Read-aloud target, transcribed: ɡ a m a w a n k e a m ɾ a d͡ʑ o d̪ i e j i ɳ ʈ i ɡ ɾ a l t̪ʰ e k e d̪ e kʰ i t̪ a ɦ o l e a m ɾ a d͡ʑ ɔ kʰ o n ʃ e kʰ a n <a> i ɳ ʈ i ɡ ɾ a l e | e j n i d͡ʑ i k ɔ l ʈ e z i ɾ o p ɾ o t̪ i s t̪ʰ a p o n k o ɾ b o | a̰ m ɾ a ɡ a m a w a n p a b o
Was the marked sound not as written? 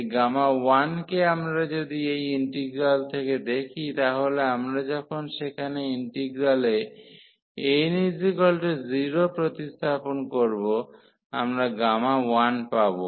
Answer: yes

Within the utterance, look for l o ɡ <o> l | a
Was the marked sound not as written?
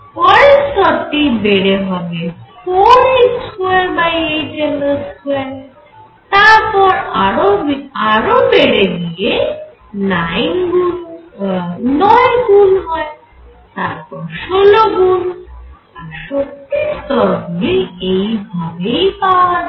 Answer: yes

